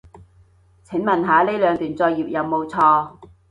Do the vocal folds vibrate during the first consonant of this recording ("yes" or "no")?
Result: no